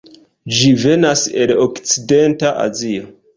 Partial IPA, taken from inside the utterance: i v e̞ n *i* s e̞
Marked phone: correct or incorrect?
incorrect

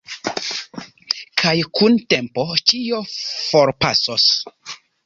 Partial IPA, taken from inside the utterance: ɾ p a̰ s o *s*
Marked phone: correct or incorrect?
correct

